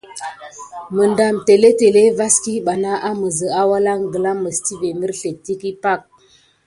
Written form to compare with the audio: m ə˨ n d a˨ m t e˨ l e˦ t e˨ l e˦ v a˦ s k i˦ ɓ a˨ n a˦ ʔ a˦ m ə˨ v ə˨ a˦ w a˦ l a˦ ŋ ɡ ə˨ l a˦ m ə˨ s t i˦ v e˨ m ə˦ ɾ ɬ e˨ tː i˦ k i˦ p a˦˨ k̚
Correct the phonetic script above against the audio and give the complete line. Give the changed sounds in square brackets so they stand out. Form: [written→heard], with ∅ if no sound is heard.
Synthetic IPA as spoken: m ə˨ n d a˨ m t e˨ l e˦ t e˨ l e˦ v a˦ s k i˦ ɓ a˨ n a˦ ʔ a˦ m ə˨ [v→z] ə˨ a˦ w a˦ l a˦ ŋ ɡ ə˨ l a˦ m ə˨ s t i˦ v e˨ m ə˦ ɾ ɬ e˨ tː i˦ k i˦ p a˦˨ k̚

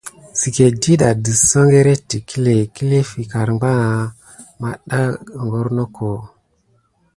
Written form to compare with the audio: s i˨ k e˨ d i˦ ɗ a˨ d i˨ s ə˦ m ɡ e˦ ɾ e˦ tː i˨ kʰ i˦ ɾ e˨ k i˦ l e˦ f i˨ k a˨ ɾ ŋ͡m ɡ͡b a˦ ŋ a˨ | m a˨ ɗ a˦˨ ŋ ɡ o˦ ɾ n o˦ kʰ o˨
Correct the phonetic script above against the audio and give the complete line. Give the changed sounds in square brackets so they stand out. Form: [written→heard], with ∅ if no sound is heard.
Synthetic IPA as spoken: s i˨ k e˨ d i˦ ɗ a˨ d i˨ s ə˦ [m→ŋ] ɡ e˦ ɾ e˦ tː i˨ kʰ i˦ [ɾ→l] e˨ k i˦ l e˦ f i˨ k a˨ ɾ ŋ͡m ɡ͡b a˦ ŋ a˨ | m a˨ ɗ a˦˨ ŋ ɡ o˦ ɾ n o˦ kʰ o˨

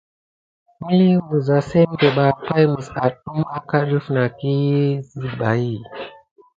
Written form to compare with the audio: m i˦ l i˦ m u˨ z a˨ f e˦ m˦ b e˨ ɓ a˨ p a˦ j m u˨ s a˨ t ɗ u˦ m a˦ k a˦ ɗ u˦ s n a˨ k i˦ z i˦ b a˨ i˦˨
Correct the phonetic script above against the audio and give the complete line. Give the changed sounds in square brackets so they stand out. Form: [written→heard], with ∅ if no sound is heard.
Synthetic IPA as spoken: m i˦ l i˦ m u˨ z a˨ [f→s] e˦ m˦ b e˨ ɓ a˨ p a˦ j m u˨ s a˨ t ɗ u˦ m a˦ k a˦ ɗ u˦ [s→f] n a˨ k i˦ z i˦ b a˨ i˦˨

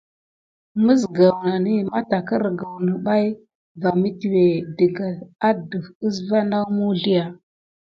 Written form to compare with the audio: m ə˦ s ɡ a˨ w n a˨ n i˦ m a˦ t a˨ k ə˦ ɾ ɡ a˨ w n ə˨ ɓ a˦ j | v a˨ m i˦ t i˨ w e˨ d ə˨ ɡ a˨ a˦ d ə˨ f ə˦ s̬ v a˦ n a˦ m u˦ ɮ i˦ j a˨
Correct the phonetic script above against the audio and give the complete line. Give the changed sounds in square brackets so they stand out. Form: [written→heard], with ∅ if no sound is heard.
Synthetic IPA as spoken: m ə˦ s ɡ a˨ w n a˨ n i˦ m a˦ t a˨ k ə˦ ɾ ɡ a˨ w n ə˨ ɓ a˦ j | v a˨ m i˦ t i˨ w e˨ d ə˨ ɡ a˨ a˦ d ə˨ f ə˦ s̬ v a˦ n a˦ m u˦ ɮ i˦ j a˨

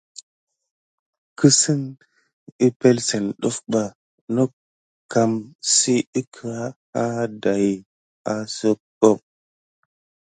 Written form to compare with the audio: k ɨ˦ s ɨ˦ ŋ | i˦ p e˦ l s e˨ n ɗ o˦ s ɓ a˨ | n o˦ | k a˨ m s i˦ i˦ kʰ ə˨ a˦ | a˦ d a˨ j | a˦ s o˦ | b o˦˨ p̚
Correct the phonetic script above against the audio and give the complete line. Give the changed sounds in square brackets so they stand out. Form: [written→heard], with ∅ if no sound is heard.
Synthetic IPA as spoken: k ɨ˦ s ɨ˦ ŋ | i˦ p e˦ l s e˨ n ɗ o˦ [s→f] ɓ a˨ | n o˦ | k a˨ m s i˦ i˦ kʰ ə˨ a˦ | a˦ d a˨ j | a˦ s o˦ | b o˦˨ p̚

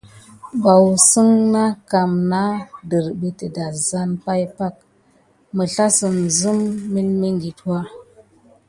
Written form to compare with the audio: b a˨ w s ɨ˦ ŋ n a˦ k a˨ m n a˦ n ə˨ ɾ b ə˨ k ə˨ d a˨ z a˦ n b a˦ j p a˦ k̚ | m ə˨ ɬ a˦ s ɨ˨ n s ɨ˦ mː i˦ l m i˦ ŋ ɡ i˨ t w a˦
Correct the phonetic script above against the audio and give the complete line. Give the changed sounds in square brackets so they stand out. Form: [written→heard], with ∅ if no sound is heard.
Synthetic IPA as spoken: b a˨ w s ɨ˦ ŋ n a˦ k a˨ m n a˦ [n→d] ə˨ ɾ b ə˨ [k→t] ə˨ d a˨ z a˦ n [b→p] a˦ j p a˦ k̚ | m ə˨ ɬ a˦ s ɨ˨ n [s→z] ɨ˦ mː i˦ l m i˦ ŋ ɡ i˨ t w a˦

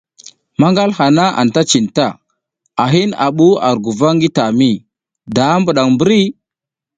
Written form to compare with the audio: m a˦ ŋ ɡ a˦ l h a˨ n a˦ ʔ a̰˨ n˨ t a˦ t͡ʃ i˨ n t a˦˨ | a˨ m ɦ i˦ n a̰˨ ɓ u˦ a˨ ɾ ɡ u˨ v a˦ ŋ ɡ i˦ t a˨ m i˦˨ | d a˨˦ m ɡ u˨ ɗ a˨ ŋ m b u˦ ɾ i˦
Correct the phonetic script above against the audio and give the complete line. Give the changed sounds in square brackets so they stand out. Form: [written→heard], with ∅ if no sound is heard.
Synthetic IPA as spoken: m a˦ ŋ ɡ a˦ l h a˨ n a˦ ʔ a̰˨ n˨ t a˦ t͡ʃ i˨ n t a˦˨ | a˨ [m→∅] ɦ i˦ n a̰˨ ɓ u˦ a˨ ɾ ɡ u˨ v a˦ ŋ ɡ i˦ t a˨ m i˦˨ | d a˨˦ m [ɡ→b] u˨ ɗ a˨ ŋ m b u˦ ɾ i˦

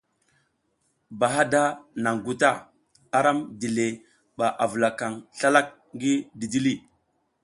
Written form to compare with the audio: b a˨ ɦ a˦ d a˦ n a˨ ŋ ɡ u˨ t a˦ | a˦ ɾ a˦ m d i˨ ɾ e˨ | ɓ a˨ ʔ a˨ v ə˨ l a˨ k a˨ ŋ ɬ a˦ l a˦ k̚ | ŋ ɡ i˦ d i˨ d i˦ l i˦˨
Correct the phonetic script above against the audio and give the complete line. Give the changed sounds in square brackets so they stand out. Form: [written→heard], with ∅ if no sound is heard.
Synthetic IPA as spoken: b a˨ ɦ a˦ d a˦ n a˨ ŋ ɡ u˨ t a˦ | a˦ ɾ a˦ m d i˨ [ɾ→l] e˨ | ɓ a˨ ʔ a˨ v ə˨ l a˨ k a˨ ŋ ɬ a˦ l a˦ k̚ | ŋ ɡ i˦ d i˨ d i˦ l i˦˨

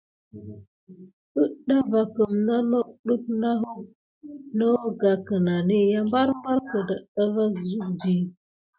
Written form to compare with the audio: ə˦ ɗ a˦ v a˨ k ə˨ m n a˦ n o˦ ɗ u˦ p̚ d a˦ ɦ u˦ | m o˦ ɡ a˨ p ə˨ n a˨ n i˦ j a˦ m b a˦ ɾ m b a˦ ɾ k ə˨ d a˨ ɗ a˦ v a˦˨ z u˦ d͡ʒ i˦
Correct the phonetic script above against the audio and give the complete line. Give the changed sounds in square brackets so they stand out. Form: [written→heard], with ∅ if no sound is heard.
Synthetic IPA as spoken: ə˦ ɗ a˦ v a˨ k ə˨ m n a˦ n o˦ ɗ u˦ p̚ [d→n] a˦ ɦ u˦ | [m→n] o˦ ɡ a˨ [p→k] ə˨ n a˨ n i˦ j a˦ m b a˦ ɾ m b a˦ ɾ k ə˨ d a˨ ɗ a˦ v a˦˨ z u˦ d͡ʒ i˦

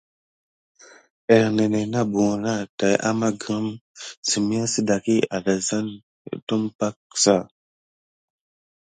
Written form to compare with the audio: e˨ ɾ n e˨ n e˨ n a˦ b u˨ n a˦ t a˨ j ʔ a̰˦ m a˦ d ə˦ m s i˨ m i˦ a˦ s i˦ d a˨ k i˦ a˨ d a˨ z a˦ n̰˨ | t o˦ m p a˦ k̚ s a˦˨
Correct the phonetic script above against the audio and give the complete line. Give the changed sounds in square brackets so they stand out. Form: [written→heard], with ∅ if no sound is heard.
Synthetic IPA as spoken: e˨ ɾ n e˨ n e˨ n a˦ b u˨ n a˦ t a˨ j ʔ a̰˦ m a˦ [d→ɡ] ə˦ m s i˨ m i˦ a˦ s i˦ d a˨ k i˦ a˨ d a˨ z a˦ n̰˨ | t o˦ m p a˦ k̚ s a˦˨

